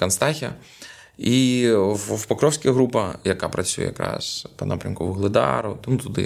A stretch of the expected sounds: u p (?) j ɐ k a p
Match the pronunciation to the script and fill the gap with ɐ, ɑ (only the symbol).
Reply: ɐ